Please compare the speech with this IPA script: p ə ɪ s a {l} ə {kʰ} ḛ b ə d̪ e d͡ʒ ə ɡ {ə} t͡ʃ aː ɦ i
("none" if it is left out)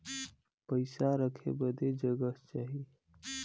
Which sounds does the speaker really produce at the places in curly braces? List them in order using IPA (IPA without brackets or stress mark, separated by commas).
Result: ɾ, kʰ, ə